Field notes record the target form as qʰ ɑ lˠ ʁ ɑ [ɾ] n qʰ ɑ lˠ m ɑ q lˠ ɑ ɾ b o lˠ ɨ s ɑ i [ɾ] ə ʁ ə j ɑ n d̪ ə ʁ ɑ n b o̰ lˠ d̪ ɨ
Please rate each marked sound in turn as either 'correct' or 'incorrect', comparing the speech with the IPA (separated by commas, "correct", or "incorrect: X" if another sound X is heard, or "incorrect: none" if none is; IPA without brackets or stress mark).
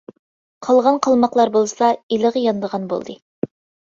incorrect: none, incorrect: l